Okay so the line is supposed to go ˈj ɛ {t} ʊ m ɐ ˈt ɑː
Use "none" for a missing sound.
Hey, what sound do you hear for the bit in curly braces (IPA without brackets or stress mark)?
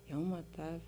none